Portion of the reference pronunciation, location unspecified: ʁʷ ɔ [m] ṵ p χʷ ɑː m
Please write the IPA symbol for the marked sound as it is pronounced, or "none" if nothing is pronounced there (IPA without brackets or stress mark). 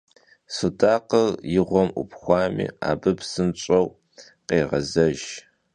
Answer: m